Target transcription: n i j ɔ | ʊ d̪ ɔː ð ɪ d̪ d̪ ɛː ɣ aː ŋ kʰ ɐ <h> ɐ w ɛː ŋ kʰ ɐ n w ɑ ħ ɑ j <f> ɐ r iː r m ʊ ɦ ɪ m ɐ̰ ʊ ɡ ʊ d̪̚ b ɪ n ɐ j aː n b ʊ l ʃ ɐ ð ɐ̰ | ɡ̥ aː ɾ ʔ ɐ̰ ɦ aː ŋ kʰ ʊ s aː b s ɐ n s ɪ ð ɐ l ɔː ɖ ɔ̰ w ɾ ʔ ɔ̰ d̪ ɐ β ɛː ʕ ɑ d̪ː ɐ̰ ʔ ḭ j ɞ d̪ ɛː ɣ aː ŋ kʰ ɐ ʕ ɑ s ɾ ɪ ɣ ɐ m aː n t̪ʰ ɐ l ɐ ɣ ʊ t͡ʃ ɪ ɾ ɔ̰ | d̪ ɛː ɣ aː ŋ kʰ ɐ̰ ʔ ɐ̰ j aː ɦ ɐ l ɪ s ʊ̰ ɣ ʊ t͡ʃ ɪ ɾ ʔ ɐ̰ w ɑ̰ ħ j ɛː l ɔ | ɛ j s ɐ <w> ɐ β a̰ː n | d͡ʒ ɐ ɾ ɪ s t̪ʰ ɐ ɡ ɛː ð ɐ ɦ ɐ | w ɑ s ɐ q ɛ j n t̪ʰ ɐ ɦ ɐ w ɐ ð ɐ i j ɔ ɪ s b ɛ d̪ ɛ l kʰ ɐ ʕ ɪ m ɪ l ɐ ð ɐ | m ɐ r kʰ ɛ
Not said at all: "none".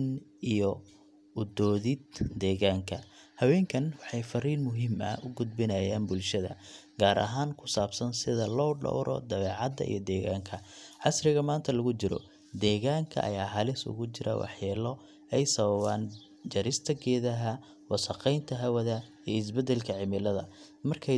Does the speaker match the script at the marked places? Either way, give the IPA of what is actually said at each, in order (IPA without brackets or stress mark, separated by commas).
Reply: h, f, β